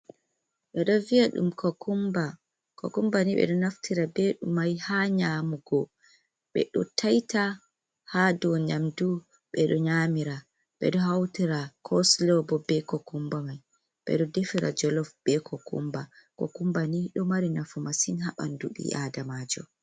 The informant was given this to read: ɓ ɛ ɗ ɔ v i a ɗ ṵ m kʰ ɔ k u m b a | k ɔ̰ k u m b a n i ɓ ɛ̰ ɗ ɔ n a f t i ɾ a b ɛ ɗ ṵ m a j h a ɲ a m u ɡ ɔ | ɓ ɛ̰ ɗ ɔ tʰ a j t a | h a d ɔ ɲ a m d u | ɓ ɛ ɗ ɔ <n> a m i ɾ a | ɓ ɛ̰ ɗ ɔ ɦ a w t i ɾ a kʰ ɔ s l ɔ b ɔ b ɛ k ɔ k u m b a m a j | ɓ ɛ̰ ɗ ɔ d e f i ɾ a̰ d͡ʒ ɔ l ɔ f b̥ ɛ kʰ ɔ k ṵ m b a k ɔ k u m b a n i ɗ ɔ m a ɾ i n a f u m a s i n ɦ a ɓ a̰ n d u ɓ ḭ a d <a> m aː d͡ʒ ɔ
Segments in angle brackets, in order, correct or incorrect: incorrect: ɲ, correct

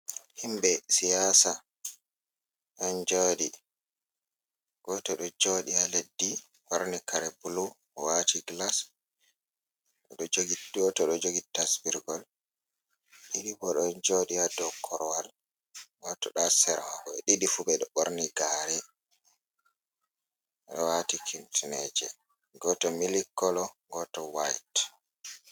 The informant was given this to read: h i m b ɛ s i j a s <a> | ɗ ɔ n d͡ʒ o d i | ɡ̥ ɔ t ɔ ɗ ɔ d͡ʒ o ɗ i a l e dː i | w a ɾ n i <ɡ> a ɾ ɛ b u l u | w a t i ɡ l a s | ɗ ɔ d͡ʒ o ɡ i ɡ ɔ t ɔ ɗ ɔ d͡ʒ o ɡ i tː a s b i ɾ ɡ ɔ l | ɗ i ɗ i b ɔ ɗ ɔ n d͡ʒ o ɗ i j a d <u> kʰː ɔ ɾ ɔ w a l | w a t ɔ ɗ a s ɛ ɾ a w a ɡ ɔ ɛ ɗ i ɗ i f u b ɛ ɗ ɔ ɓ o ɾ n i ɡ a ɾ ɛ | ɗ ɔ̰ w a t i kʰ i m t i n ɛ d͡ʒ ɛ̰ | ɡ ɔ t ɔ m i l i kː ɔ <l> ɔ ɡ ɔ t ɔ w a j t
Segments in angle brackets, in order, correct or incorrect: correct, incorrect: k, incorrect: ɔ, correct

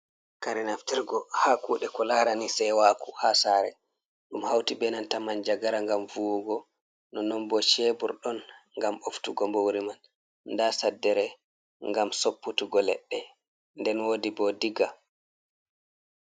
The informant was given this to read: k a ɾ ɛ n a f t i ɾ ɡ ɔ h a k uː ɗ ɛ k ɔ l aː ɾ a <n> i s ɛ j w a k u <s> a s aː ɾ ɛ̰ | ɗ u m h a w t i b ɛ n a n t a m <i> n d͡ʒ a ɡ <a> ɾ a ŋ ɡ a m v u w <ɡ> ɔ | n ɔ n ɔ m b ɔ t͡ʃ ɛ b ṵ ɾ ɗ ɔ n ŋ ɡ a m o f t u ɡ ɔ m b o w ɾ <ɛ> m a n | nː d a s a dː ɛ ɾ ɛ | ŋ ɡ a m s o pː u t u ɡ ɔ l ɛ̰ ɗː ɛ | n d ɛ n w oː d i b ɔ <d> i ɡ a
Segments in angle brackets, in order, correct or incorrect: correct, incorrect: h, incorrect: a, correct, correct, incorrect: i, correct

